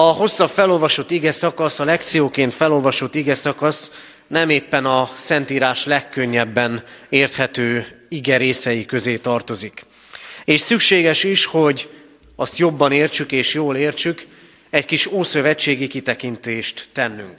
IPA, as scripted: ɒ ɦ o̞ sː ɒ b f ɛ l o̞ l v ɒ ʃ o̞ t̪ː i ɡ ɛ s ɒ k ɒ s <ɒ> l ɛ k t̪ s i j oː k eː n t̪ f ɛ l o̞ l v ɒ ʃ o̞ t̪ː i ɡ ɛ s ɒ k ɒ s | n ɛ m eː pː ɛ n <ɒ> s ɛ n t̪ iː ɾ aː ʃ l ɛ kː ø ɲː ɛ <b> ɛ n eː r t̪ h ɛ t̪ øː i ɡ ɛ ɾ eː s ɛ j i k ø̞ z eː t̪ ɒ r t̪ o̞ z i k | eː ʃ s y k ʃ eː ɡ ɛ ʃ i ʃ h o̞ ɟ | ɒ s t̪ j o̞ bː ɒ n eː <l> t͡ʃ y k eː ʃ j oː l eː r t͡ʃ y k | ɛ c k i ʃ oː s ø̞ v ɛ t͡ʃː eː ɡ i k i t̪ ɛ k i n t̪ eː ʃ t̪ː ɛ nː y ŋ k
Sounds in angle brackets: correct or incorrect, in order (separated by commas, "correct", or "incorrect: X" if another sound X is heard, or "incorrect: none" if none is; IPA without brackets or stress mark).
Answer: correct, correct, incorrect: bː, incorrect: r